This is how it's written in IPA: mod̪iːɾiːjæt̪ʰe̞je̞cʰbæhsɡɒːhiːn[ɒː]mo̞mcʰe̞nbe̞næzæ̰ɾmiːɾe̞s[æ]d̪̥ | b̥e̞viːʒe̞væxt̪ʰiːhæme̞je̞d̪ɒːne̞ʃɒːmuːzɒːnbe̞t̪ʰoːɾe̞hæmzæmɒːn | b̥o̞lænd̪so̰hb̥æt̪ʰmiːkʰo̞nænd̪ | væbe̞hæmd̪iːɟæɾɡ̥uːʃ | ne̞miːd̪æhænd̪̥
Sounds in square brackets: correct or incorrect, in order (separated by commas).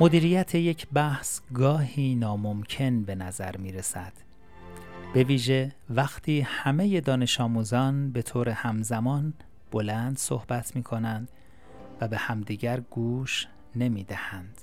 correct, correct